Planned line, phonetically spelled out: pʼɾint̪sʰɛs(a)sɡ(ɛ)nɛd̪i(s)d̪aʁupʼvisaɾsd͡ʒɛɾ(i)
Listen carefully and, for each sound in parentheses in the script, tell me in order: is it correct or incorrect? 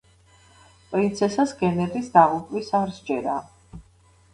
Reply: correct, correct, correct, incorrect

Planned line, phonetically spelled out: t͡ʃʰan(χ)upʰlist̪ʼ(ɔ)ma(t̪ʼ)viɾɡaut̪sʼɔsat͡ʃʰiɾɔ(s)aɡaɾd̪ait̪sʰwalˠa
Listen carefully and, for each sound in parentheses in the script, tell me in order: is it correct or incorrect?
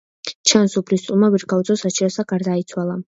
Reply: incorrect, incorrect, incorrect, correct

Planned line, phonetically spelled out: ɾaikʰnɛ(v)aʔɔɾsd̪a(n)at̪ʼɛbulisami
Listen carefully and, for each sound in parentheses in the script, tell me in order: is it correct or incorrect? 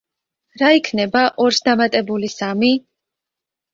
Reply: incorrect, incorrect

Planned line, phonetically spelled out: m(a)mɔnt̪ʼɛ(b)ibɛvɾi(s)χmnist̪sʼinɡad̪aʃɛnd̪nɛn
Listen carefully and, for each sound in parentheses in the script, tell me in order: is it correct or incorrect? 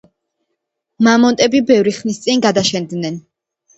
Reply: correct, correct, incorrect

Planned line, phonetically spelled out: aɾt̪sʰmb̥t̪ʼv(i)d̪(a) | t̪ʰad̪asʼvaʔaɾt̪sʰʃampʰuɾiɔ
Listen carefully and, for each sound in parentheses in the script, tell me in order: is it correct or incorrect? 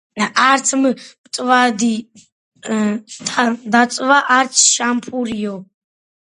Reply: incorrect, incorrect

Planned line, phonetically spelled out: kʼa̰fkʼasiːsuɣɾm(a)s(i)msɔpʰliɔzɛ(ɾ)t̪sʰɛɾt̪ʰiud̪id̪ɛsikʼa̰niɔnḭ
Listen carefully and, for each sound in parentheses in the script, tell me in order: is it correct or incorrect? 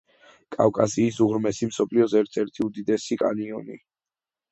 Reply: incorrect, correct, correct

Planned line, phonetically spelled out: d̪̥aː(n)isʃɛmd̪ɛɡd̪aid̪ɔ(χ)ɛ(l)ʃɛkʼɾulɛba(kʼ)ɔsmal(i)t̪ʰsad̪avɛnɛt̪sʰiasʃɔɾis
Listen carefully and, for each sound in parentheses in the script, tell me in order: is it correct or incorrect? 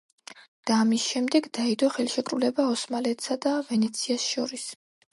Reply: incorrect, correct, correct, incorrect, incorrect

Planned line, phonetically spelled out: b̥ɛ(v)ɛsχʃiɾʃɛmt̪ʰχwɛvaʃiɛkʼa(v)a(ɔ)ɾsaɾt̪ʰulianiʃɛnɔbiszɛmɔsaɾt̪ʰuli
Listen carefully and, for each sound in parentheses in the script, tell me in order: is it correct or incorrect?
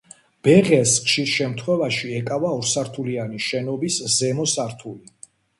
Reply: incorrect, correct, correct

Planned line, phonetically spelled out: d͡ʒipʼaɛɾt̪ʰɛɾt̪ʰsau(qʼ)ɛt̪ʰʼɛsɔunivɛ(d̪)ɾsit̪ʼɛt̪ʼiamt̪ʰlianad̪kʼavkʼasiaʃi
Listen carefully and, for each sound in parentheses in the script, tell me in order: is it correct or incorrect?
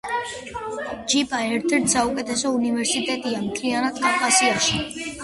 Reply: incorrect, incorrect

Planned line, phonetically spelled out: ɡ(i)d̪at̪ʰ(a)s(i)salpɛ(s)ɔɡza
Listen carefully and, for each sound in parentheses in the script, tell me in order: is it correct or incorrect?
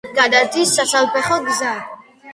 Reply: incorrect, incorrect, incorrect, incorrect

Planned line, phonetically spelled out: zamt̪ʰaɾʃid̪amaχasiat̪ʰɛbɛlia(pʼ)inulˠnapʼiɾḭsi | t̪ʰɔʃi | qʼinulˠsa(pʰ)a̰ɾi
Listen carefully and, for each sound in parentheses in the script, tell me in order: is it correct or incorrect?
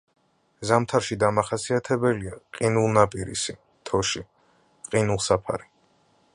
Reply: incorrect, correct

